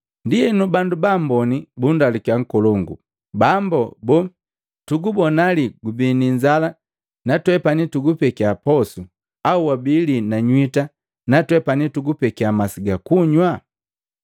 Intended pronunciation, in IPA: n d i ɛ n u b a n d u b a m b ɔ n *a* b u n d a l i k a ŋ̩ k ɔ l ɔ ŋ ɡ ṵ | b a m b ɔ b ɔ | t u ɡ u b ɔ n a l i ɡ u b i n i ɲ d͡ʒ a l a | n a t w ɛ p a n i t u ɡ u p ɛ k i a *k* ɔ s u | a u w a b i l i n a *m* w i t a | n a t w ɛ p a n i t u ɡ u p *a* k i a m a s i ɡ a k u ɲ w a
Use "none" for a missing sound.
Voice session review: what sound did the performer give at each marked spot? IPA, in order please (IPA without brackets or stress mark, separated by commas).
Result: i, p, ɲ, ɛ